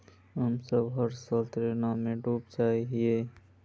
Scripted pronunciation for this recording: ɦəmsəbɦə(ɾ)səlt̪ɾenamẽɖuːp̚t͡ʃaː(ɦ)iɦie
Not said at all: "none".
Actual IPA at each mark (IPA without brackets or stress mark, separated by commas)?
ɾ, ɦ